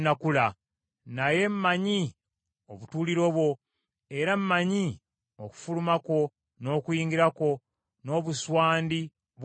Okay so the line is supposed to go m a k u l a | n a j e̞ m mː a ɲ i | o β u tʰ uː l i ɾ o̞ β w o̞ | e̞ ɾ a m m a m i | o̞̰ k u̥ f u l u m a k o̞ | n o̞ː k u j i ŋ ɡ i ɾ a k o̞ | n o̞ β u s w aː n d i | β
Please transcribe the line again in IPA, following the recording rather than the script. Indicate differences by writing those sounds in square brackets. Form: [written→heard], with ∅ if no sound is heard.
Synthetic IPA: [m→n] a k u l a | n a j e̞ m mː a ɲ i | o β u [tʰ→t] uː l i ɾ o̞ β w o̞ | e̞ ɾ a m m a [m→ɲ] i | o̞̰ k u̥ f u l u m a k o̞ | n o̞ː k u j [i→iː] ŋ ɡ i ɾ a k o̞ | n o̞ β u s w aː n d i | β